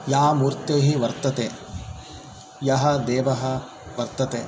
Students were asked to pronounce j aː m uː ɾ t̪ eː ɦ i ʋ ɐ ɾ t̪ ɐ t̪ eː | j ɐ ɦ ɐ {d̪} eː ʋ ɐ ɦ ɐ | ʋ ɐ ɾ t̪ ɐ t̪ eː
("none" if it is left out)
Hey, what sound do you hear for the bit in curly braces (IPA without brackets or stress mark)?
d̪